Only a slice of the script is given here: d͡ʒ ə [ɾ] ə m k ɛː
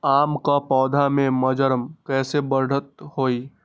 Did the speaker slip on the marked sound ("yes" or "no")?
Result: no